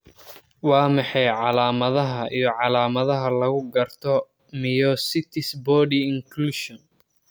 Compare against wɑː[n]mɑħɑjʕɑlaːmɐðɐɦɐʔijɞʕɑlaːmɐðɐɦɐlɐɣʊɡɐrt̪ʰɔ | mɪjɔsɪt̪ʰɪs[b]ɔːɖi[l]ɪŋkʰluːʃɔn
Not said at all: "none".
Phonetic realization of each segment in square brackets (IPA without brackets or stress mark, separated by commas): none, b, none